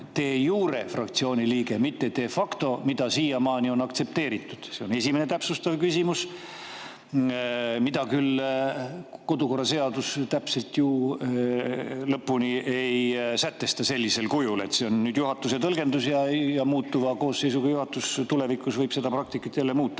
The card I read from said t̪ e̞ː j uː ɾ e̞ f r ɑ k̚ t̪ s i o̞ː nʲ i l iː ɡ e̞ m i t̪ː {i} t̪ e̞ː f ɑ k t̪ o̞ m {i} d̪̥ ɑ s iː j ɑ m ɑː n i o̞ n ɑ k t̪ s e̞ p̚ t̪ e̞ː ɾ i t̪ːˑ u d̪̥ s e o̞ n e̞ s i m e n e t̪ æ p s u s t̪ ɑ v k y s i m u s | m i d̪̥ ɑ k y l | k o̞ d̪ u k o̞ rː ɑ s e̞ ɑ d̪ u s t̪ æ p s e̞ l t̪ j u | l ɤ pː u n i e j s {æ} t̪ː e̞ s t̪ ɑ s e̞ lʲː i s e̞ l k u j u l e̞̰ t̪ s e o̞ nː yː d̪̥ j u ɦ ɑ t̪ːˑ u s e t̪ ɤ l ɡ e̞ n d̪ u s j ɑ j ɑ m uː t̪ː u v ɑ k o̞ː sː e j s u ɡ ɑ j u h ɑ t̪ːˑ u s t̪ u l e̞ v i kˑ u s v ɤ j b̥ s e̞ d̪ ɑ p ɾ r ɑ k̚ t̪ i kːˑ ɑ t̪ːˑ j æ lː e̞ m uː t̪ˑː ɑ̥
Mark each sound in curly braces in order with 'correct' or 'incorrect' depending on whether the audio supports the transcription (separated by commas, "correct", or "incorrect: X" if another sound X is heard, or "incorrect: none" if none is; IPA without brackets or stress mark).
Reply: incorrect: e, correct, correct